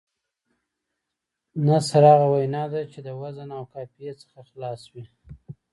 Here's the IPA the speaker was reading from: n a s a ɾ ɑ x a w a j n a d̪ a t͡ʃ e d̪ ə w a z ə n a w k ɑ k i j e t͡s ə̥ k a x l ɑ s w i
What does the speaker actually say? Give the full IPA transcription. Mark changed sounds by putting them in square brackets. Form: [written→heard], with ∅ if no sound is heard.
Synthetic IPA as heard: n a s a ɾ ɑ [x→ɣ] a w a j n [a→ɑ] d̪ a t͡ʃ e d̪ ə w a z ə n a w k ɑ [k→p] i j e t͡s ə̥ [k→x] a x l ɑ s w i